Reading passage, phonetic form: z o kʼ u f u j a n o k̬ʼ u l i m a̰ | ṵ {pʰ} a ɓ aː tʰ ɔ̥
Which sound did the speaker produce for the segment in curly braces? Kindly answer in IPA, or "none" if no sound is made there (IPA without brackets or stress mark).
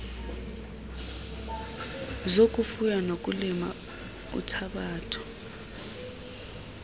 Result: tʰ